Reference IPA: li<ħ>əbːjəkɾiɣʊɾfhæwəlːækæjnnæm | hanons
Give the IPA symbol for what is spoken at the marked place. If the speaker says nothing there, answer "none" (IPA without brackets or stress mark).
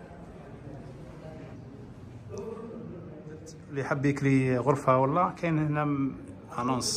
ħ